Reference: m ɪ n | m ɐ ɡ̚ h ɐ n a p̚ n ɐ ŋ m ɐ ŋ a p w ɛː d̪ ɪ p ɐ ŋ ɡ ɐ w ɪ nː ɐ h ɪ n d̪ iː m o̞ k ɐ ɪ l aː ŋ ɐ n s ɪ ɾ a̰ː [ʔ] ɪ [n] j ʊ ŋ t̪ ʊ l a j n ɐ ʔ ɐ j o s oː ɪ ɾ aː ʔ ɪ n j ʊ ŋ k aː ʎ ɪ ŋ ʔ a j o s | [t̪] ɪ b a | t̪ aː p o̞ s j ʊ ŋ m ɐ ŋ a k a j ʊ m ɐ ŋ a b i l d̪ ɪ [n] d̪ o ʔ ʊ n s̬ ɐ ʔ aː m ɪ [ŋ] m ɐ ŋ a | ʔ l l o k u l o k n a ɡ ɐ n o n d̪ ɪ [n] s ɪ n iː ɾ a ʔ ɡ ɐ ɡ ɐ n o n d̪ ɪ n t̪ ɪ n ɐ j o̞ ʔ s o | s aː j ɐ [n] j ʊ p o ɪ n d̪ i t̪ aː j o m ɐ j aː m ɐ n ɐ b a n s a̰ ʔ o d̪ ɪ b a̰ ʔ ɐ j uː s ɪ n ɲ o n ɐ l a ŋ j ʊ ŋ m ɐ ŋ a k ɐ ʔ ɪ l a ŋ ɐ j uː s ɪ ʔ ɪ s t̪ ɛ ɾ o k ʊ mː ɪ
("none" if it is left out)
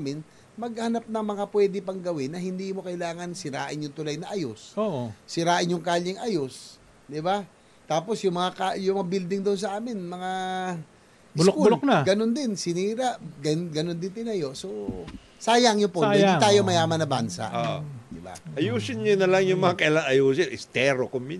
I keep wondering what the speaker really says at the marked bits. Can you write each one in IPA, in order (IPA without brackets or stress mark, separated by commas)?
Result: ʔ, n, d̪, ŋ, n, n, ŋ